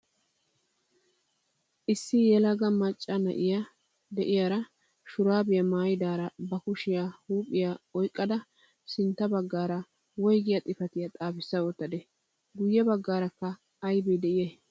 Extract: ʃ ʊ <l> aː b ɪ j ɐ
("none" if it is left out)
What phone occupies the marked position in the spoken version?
ɾ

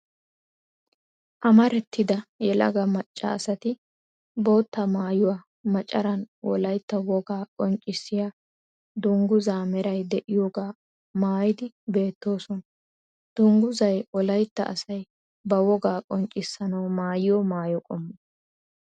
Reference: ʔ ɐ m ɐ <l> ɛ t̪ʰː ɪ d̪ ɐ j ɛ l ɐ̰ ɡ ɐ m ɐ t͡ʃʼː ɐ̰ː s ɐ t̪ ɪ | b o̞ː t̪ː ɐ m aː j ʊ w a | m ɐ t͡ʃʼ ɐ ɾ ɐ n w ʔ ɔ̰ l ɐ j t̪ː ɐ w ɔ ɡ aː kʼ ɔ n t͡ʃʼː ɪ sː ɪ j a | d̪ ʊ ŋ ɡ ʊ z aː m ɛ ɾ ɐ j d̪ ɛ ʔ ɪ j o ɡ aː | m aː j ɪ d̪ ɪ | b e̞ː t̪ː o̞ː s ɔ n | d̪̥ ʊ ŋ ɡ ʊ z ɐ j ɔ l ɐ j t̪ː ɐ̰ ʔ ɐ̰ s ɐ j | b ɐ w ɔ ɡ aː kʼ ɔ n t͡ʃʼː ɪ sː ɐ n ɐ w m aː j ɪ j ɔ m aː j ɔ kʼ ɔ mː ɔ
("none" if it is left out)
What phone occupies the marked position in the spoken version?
ɾ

